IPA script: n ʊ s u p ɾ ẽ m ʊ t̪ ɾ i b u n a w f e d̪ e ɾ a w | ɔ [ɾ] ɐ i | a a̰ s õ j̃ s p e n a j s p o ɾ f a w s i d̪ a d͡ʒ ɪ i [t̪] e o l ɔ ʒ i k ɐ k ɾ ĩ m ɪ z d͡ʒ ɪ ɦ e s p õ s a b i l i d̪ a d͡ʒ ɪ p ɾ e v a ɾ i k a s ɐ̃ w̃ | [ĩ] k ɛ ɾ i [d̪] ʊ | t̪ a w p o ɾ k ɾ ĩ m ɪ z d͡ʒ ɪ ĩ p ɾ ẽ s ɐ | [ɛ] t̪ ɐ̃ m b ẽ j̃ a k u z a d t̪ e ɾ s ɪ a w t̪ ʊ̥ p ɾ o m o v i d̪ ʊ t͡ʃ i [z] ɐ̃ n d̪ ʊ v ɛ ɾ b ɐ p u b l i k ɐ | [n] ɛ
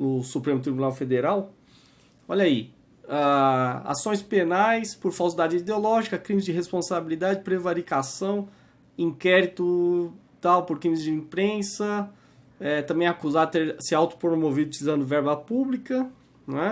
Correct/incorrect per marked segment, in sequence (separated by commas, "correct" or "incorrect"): incorrect, incorrect, correct, incorrect, correct, correct, correct